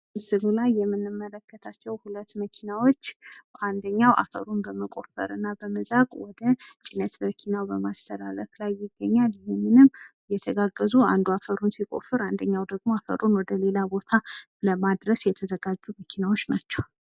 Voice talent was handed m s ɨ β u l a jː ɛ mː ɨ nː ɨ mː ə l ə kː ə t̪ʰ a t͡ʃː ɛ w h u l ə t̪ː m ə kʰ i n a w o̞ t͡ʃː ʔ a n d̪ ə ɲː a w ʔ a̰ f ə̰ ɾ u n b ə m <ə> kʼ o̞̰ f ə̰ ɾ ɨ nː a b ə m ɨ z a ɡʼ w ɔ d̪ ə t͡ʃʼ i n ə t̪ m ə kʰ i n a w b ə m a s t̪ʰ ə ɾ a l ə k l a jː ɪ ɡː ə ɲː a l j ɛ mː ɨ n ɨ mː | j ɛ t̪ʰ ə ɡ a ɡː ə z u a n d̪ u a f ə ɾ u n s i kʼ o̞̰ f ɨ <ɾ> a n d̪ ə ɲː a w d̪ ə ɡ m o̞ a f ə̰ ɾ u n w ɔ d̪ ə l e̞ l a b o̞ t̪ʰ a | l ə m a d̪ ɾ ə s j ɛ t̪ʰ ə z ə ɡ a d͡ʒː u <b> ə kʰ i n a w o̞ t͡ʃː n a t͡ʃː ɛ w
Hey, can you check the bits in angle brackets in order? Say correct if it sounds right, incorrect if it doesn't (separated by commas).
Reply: correct, correct, incorrect